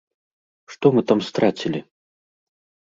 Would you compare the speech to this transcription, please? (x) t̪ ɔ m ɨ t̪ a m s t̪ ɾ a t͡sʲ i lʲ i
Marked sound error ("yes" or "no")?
yes